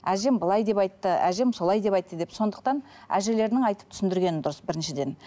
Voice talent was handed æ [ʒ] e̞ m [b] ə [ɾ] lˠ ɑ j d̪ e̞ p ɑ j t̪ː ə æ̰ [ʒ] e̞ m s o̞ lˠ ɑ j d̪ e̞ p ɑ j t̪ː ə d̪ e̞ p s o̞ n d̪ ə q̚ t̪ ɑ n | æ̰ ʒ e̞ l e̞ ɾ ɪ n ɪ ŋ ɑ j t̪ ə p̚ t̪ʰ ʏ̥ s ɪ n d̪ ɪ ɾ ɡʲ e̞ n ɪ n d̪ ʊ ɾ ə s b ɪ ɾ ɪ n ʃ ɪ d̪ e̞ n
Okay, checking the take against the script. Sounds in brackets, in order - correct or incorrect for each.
correct, correct, incorrect: none, correct

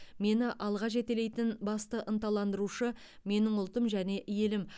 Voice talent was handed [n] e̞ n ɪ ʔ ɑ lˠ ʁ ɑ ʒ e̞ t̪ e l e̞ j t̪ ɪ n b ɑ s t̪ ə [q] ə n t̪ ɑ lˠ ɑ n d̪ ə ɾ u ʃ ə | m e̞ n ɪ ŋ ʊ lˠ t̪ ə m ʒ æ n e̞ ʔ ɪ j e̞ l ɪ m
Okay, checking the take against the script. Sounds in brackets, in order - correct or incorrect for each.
incorrect: m, incorrect: ʔ

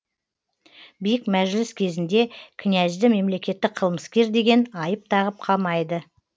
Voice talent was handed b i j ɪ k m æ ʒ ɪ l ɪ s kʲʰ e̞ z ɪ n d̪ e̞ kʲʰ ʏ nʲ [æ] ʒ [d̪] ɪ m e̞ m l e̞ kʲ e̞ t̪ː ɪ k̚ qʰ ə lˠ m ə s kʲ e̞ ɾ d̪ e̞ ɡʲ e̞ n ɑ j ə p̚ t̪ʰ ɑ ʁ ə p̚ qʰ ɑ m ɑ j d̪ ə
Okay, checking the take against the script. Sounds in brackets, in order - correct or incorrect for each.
correct, correct

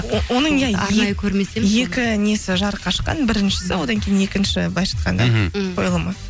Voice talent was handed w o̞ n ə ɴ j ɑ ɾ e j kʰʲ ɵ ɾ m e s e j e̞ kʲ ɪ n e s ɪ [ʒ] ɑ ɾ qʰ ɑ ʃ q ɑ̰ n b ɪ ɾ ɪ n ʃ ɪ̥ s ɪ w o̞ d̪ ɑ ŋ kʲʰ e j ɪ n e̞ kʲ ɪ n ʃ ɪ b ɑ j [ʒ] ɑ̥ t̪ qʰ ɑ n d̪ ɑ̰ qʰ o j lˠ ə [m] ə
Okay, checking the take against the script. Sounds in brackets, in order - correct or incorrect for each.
correct, incorrect: ʃ, correct

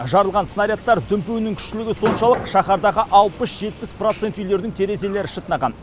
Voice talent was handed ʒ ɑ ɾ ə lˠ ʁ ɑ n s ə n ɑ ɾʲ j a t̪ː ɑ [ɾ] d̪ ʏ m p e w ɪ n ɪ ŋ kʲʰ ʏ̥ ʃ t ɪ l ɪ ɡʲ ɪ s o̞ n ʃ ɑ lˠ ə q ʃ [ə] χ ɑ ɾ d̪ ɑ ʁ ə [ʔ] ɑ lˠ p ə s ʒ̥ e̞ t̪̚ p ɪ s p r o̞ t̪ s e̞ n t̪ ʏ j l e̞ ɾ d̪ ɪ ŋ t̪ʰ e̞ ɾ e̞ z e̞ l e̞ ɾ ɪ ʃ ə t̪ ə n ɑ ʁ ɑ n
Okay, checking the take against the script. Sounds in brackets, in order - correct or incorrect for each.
correct, incorrect: ɑ, correct

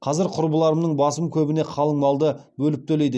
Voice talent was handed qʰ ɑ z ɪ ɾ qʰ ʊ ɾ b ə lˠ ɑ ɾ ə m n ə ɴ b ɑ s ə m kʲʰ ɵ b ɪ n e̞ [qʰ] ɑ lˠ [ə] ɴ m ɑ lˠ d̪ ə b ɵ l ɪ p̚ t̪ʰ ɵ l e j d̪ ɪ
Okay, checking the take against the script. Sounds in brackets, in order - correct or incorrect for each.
correct, correct

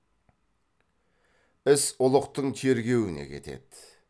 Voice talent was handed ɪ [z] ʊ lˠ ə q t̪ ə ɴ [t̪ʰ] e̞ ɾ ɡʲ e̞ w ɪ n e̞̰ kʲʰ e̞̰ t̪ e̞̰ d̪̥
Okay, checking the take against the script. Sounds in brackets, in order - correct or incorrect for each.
incorrect: s, correct

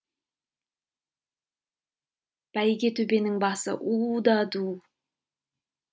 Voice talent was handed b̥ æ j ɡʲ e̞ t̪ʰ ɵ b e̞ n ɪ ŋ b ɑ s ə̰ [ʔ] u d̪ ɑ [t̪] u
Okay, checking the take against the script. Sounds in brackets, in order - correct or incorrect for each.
correct, incorrect: d̪

